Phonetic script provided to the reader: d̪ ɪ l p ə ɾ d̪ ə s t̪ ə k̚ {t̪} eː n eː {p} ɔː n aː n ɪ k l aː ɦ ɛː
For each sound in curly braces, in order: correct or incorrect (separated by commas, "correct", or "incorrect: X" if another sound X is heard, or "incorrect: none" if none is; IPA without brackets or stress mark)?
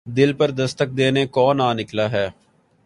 incorrect: d̪, incorrect: k